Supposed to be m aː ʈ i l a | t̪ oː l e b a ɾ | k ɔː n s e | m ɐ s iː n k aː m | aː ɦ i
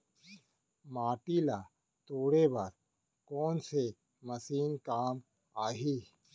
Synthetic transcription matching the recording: m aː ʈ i l a | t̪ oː ɽ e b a ɾ | k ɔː n s e | m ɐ s iː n k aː m | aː ɦ i